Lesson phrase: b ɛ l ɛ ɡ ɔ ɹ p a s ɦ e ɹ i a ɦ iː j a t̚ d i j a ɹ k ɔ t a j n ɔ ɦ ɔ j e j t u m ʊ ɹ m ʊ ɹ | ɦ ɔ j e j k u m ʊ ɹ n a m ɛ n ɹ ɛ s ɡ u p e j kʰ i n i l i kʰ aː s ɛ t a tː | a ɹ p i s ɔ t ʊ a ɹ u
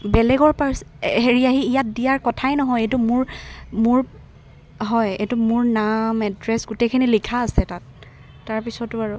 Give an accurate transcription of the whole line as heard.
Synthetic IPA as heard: b ɛ l ɛ ɡ ɔ ɹ p a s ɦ e ɹ i a ɦ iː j a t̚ d i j a ɹ k ɔ tʰ a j n ɔ ɦ ɔ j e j t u m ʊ ɹ m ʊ ɹ | ɦ ɔ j e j t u m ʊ ɹ n a m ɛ d ɹ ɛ s ɡ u t e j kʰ i n i l i kʰ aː s ɛ t a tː | a ɹ p i s ɔ t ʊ a ɹ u